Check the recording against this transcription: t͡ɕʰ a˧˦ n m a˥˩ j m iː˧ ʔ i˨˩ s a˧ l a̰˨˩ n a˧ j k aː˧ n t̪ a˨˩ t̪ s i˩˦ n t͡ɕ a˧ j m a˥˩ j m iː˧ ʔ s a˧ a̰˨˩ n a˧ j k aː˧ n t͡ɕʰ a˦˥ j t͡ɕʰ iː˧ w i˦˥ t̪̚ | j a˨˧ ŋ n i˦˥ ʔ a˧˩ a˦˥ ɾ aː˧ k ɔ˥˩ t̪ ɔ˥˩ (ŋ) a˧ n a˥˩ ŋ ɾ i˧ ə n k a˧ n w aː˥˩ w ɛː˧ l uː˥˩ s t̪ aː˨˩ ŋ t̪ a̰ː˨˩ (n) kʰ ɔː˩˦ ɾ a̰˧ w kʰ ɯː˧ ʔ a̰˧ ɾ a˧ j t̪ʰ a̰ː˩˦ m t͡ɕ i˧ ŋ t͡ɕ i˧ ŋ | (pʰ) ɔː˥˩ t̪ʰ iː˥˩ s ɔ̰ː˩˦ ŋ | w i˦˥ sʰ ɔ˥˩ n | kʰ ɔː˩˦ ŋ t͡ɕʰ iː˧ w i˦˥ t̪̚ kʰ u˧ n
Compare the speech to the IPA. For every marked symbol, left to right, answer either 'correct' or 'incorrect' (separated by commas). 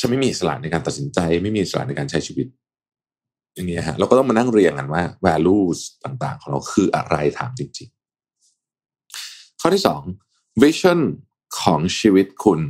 incorrect, incorrect, incorrect